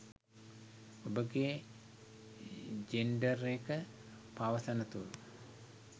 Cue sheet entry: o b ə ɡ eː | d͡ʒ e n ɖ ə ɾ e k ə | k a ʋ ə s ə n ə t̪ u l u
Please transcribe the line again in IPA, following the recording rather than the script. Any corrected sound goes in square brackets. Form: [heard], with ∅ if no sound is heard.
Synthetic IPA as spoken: o b ə ɡ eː | d͡ʒ e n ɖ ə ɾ e k ə | [p] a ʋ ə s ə n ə t̪ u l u